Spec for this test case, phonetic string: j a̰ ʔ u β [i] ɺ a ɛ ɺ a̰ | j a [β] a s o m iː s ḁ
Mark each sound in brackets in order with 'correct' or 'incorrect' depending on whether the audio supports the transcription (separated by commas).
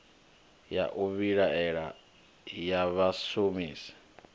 correct, correct